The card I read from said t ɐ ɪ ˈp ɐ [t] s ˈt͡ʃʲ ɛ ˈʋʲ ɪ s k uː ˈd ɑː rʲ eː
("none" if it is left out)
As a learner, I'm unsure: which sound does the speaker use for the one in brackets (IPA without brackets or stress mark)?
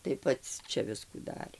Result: t